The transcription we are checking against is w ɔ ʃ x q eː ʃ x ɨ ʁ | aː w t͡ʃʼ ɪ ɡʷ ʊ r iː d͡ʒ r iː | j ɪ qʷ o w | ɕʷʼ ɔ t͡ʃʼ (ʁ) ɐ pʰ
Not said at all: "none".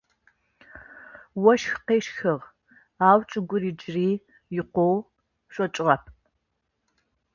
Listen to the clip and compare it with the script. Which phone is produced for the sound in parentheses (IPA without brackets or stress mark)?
ʁ